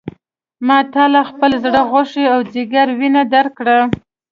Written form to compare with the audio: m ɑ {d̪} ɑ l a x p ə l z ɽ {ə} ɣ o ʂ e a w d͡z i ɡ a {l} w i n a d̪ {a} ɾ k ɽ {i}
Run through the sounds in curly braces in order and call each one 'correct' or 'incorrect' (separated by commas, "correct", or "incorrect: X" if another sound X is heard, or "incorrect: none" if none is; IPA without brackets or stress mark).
incorrect: t̪, correct, incorrect: ɾ, correct, incorrect: a